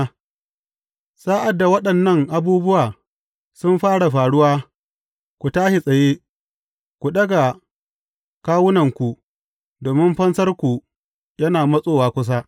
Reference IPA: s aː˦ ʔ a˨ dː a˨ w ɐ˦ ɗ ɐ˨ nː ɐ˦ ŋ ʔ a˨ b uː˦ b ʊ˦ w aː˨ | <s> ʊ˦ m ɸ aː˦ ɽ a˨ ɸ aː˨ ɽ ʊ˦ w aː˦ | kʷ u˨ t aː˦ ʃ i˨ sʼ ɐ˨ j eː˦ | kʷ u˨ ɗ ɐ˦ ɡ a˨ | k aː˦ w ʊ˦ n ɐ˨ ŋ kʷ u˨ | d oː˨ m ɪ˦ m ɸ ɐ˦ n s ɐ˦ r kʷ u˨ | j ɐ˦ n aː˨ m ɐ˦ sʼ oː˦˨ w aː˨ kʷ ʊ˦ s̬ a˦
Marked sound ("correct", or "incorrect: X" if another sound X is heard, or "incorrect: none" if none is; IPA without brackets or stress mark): correct